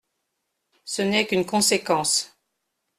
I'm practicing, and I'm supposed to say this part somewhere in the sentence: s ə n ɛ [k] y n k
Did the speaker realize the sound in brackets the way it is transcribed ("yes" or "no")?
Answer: yes